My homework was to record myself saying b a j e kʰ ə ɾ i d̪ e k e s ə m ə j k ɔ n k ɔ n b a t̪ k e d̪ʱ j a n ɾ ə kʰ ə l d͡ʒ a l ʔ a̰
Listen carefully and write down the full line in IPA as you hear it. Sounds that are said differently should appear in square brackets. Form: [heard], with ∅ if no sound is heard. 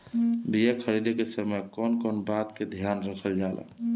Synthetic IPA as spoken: b [i] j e kʰ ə ɾ i d̪ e k e s ə m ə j k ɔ n k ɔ n b a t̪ k e d̪ʱ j a n ɾ ə kʰ ə l d͡ʒ a l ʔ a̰